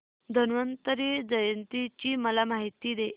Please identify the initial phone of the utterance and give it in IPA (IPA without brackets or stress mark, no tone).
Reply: d̪ʱ